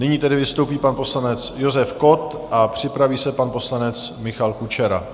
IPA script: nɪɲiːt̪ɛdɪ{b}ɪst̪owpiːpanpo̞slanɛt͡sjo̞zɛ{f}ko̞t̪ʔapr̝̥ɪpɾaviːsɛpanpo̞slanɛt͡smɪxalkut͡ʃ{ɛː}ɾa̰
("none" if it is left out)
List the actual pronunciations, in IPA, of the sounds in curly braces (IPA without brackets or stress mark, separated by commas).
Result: v, f, ɛ